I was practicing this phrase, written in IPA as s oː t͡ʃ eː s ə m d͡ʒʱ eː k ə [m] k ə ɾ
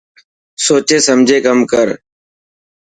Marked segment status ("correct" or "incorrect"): correct